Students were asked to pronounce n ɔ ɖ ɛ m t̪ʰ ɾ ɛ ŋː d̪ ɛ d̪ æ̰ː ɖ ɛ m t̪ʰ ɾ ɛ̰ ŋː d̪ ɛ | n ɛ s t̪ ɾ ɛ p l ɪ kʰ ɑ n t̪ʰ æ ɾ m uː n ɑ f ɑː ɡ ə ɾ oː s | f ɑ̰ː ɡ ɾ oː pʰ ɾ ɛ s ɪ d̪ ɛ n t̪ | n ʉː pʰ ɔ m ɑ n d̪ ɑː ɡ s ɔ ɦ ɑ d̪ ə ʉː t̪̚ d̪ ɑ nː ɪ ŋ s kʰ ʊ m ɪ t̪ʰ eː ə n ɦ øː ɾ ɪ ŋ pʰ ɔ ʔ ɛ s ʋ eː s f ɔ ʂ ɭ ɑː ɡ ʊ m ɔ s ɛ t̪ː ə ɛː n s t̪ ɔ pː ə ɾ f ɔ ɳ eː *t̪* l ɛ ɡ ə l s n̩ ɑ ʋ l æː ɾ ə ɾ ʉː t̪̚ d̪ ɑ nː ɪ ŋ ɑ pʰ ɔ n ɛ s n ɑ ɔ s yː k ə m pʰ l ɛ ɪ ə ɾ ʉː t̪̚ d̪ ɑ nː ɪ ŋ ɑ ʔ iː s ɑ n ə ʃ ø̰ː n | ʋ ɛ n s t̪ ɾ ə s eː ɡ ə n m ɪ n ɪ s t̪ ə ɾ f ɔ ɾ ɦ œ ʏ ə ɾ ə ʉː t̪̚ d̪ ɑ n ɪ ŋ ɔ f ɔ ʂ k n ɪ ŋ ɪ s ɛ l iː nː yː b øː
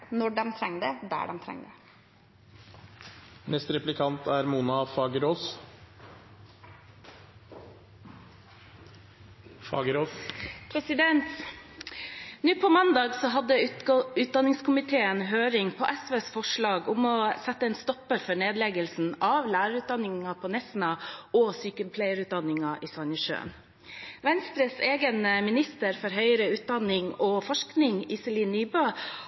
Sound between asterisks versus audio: incorrect: d̪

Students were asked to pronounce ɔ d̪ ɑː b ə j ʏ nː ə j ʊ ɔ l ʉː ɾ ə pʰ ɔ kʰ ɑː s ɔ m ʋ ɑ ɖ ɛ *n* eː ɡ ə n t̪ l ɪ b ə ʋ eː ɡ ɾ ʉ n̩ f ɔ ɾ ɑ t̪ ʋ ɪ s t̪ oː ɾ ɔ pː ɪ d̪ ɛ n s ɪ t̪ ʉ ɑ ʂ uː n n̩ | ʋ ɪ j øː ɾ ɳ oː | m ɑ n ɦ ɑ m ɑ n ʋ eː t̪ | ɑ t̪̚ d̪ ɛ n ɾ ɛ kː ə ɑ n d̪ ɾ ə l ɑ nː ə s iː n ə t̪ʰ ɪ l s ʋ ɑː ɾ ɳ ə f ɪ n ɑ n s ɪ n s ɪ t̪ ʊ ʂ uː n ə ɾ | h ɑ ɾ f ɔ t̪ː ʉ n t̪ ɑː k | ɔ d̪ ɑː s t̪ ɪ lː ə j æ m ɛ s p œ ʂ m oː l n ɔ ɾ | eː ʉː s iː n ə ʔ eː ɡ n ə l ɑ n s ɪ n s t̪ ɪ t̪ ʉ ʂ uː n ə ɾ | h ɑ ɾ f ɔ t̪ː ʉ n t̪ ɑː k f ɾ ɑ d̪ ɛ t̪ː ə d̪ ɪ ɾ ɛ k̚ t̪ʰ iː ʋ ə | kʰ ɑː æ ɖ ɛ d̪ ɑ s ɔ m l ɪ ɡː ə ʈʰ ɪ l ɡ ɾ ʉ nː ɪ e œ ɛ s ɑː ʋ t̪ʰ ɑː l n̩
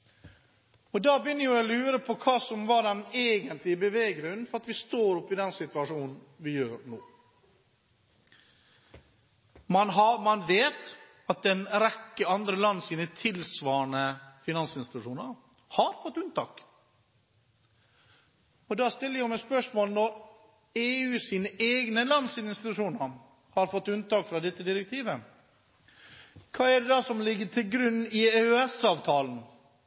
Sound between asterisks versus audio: correct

